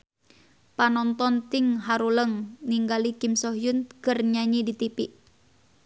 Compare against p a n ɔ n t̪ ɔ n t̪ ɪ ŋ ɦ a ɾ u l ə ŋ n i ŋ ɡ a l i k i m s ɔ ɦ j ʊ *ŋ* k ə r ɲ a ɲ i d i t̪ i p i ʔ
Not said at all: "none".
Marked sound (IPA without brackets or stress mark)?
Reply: n